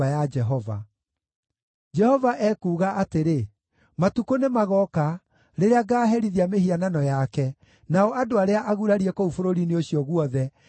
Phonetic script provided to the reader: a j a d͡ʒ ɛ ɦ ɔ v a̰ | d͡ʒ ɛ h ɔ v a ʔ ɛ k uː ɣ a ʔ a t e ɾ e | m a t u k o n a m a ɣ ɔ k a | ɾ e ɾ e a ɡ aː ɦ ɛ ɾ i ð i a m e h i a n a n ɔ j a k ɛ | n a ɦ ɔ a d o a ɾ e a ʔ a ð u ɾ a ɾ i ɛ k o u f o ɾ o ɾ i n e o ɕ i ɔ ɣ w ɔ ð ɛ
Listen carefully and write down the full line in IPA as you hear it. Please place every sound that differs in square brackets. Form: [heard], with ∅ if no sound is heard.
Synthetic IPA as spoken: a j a d͡ʒ ɛ ɦ ɔ v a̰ | d͡ʒ ɛ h ɔ v a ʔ ɛ k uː ɣ a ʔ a t e ɾ e | m a t u k o n [e] m a ɣ ɔ k a | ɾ e ɾ e a ɡ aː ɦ ɛ ɾ i ð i a m e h i a n a n ɔ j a k ɛ | n a [∅] ɔ a d o a ɾ e a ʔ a [ɣ] u ɾ a ɾ i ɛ k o u f o ɾ o ɾ i n e o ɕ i ɔ ɣ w ɔ ð ɛ